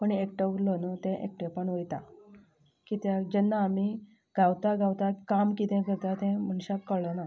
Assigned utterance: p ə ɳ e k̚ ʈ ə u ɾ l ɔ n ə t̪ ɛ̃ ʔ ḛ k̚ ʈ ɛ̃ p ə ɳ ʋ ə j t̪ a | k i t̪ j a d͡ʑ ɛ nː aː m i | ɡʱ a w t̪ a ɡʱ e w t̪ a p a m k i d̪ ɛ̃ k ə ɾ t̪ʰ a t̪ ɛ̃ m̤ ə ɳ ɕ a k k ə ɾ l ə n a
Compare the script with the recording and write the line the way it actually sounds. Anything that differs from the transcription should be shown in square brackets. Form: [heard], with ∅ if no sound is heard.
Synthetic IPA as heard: p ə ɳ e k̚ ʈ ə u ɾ l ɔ n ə t̪ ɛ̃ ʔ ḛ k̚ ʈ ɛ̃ p ə ɳ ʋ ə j t̪ a | k i t̪ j a d͡ʑ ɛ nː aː m i | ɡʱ a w t̪ a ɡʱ [a] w t̪ a [k] a m k i [t̪] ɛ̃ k ə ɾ [t̪] a t̪ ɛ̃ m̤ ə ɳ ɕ a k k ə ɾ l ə n a